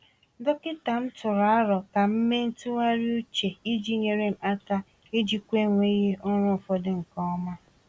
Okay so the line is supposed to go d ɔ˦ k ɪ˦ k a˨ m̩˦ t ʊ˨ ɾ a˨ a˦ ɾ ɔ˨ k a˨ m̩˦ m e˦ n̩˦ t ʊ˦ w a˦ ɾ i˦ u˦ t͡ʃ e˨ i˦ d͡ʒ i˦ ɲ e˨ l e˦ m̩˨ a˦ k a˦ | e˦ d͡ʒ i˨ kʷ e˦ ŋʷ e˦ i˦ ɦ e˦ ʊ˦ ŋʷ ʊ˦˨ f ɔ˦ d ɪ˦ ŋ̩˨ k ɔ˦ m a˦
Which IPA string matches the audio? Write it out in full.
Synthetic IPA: d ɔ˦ k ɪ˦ t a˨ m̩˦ t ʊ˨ ɾ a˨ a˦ ɾ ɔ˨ k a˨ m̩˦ m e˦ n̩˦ t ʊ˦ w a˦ ɾ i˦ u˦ t͡ʃ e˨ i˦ d͡ʒ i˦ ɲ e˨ ɾ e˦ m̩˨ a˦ t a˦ | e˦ d͡ʒ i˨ kʷ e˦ ŋʷ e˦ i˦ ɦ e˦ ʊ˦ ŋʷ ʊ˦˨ f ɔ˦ d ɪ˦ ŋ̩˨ k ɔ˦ m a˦